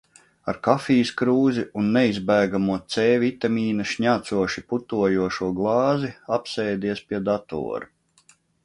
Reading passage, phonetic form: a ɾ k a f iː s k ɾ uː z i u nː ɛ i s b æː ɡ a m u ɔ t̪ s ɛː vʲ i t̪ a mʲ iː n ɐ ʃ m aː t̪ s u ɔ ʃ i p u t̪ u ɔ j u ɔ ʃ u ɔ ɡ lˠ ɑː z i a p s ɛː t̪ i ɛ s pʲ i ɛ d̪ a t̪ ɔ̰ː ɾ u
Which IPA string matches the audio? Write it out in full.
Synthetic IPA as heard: a ɾ k a f iː s k ɾ uː z i u nː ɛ i z b æː ɡ a m u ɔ t̪ s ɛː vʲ i t̪ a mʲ iː n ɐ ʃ ɲ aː t̪ s u ɔ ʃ i p u t̪ u ɔ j u ɔ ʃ u ɔ ɡ lˠ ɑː z i a p s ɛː d̪ i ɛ s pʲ i ɛ d̪ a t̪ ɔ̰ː ɾ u